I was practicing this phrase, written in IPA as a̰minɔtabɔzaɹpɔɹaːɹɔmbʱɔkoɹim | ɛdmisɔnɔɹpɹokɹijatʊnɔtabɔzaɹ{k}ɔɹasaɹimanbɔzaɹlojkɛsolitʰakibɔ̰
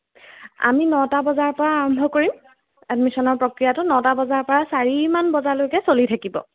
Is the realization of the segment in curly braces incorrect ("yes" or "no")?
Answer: yes